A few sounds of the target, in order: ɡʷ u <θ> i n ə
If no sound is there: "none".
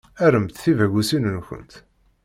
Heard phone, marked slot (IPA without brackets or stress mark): s